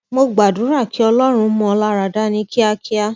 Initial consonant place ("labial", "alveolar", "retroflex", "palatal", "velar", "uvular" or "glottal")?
labial